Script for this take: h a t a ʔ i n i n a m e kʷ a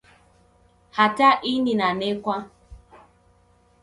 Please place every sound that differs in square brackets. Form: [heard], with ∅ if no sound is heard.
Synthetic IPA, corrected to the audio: h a t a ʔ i n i n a [n] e kʷ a